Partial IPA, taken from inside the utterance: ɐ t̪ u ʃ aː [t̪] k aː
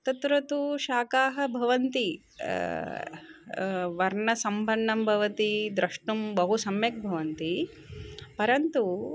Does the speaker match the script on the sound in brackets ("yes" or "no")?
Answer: no